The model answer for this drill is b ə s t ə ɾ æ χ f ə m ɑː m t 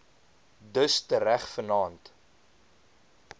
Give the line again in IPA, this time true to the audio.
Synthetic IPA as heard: d ə s t ə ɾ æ χ f ə n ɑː n t